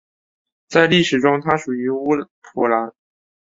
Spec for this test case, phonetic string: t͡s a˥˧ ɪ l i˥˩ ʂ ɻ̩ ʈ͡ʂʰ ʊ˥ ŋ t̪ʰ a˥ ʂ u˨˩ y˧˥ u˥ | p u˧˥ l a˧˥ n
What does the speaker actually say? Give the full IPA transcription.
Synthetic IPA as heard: t͡s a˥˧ ɪ l i˥˩ ʂ ɻ̩ ʈ͡ʂ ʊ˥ ŋ t̪ʰ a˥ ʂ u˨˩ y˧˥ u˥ | pʰ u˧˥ l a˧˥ n